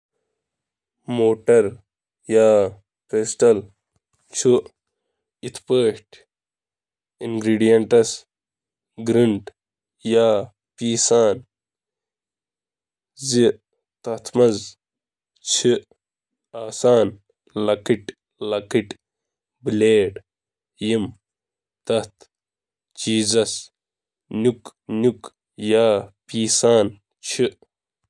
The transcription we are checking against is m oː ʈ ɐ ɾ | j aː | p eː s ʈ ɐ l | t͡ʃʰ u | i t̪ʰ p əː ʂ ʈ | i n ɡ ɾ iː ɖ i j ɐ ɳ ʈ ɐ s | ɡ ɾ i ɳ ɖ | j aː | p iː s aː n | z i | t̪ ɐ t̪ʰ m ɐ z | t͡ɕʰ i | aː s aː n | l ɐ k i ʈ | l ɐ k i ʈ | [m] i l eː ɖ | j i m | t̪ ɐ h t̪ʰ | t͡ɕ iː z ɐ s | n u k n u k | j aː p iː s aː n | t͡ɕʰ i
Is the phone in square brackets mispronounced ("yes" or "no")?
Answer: yes